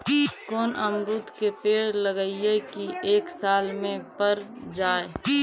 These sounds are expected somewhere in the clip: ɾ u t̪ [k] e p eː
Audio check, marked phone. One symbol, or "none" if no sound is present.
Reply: k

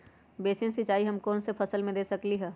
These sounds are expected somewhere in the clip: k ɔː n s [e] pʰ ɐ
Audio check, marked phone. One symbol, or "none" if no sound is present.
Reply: e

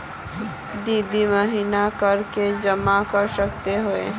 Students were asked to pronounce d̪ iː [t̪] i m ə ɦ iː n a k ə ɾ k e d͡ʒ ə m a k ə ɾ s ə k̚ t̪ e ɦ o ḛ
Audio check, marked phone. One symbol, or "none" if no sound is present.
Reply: d̪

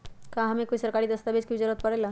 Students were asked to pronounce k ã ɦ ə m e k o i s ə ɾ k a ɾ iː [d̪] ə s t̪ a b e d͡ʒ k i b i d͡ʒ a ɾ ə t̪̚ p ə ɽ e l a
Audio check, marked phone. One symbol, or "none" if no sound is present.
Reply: d̪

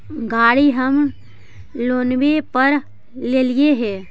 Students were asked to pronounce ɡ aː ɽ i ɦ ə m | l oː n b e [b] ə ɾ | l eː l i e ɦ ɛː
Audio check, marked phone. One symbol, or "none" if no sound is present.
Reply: p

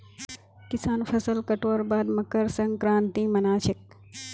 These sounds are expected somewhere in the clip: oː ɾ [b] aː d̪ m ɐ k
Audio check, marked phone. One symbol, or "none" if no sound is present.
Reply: b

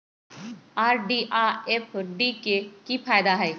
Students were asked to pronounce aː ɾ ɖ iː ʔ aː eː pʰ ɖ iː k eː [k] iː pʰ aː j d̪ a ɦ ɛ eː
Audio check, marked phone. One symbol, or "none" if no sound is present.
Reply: k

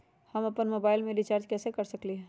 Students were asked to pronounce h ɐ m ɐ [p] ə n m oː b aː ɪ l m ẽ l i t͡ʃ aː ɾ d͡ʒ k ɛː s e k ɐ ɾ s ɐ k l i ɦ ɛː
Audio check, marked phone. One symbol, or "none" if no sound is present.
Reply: p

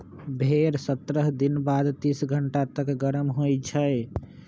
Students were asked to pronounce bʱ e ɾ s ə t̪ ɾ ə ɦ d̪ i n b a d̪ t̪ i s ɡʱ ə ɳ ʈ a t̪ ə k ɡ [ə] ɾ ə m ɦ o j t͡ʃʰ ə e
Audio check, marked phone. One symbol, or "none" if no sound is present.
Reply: ə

